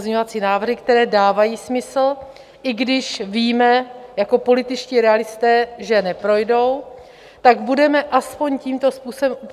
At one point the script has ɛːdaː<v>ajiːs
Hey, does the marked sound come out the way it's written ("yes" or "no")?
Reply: yes